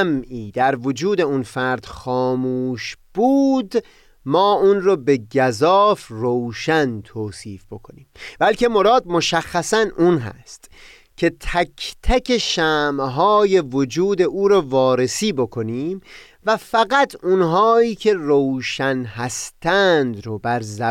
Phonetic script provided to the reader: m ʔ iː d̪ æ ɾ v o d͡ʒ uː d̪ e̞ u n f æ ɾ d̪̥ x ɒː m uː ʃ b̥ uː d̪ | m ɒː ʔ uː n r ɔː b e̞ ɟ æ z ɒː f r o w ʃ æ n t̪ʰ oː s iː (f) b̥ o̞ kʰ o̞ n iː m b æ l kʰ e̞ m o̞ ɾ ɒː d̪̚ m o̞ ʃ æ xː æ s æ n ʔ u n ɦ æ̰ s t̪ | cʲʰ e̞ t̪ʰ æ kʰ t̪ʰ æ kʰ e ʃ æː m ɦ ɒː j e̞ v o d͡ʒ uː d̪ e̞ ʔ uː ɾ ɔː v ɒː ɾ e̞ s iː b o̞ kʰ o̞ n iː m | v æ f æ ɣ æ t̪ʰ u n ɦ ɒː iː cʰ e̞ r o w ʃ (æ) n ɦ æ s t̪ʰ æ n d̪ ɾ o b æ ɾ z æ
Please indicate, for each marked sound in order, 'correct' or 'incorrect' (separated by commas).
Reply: correct, correct